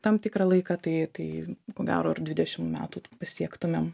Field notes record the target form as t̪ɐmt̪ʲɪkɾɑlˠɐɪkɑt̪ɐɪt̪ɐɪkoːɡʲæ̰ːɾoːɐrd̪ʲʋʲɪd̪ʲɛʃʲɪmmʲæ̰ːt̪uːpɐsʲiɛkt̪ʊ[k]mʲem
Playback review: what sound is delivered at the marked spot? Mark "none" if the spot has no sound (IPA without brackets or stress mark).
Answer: none